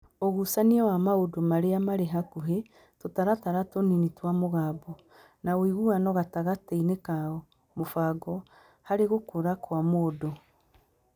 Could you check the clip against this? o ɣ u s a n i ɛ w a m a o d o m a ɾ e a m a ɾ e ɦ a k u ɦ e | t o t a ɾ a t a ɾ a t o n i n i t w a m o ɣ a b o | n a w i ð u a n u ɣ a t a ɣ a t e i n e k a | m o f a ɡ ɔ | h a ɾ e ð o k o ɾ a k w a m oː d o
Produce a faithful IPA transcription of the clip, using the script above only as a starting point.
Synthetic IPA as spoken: o ɣ u s a n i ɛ w a m a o d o m a ɾ e a m a ɾ e ɦ a k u ɦ e | t o t a ɾ a t a ɾ a t o n i n i t w a m o ɣ a b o | n a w i ɣ u a n ɔ ɣ a t a ɣ a t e i n e k a | m o f a ɡ ɔ | h a ɾ e ɣ o k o ɾ a k w a m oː d o

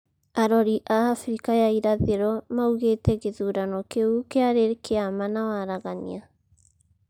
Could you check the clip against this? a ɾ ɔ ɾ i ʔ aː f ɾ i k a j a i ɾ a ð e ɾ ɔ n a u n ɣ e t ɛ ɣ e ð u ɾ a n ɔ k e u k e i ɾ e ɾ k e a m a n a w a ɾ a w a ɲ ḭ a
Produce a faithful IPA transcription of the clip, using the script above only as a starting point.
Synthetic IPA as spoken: a ɾ ɔ ɾ i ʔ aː f ɾ i k a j a i ɾ a ð e ɾ ɔ m a u ɣ e t ɛ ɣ e ð u ɾ a n ɔ k e u k e a ɾ e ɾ k e a m a n a w a ɾ a ɣ a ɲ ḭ a

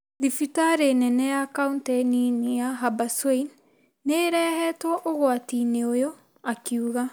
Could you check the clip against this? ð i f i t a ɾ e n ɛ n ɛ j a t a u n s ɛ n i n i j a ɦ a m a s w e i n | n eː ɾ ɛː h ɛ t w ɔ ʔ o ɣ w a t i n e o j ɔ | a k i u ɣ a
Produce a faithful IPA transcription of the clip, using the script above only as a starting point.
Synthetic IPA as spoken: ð i f i t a ɾ e n ɛ n ɛ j a k a u n t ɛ n i n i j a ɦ a b a s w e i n | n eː ɾ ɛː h ɛ t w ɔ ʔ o ɣ w a t i n e o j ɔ | a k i u ɣ a

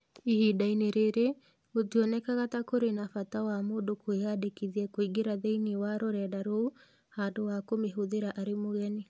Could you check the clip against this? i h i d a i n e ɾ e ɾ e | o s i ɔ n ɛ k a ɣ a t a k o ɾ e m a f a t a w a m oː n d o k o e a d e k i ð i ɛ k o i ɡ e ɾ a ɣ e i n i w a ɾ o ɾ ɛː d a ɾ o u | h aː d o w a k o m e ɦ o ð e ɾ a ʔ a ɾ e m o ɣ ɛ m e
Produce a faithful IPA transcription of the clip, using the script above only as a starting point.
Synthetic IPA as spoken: i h i d a i n e ɾ e ɾ e | o t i ɔ n ɛ k a ɣ a t a k o ɾ e n a f a t a w a m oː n d o k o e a d e k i ð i ɛ k o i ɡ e ɾ a ð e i n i w a ɾ o ɾ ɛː d a ɾ o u | h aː d o w a k o m e ɦ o ð e ɾ a ʔ a ɾ e m o ɣ ɛ n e

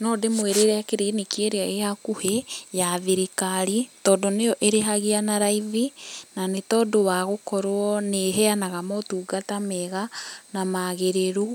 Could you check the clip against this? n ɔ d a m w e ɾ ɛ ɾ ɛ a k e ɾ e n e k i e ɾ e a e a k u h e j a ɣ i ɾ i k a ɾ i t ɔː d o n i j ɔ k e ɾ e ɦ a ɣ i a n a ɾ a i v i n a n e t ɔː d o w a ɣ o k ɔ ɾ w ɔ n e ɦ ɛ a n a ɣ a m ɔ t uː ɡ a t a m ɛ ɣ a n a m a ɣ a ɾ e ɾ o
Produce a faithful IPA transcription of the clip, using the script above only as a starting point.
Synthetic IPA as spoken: n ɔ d e m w e ɾ e ɾ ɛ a k e ɾ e n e k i e ɾ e a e a k u h e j a ð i ɾ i k a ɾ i t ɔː d o n e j ɔ ʔ e ɾ e ɦ a ɣ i a n a ɾ a i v i n a n e t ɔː d o w a ɣ o k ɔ ɾ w ɔ n e ɦ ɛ a n a ɣ a m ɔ t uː ɡ a t a m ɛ ɣ a n a m a ɣ e ɾ e ɾ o

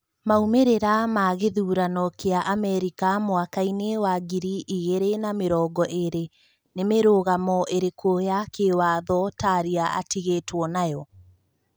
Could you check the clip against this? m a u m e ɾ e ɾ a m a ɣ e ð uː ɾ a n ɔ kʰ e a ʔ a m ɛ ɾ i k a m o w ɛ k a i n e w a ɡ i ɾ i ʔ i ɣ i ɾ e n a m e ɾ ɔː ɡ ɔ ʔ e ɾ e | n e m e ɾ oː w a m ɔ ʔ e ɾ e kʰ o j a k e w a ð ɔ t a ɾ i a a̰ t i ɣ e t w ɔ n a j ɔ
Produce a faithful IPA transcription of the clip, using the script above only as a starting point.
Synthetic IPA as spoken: m a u m e ɾ e ɾ a m a ɣ e ð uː ɾ a n ɔ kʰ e a ʔ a m ɛ ɾ i k a m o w a k a i n e w a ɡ i ɾ i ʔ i ɣ e ɾ e n a m e ɾ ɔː ɡ ɔ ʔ e ɾ e | n e m e ɾ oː ɣ a m ɔ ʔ e ɾ e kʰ o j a k e w a ð ɔ t a ɾ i a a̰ t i ɣ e t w ɔ n a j ɔ

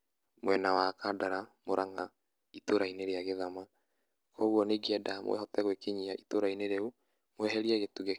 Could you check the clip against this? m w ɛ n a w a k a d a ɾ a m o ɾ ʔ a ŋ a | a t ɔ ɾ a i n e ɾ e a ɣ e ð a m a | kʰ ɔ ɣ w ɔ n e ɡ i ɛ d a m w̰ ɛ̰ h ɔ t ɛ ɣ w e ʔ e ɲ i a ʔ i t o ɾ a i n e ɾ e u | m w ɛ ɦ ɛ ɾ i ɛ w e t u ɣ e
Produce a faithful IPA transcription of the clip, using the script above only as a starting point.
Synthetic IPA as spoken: m w ɛ n a w a k a d a ɾ a m o ɾ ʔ a ŋ a | i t o ɾ a i n e ɾ e a ɣ e ð a m a | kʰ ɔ ɣ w ɔ n e ɡ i ɛ d a m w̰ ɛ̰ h ɔ t ɛ ɣ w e k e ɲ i a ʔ i t o ɾ a i n e ɾ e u | m w ɛ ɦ ɛ ɾ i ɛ ɣ e t u ɣ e

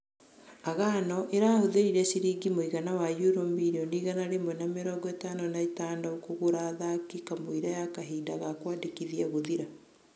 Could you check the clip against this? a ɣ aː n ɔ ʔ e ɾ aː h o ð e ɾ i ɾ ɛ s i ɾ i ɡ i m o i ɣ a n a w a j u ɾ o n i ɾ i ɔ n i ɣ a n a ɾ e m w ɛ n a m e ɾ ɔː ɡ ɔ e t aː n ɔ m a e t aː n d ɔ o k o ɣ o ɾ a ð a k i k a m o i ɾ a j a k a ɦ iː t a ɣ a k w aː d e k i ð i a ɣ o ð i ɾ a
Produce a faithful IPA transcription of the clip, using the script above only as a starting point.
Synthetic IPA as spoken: a ɣ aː n ɔ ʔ e ɾ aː h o ð e ɾ i ɾ ɛ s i ɾ i ɡ i m o i ɣ a n a w a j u ɾ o m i ɾ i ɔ n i ɣ a n a ɾ e m w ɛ n a m e ɾ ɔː ɡ ɔ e t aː n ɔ n a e t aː n d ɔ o k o ɣ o ɾ a ð a k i k a m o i ɾ a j a k a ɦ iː d a ɣ a k w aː d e k i ð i a ɣ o ð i ɾ a

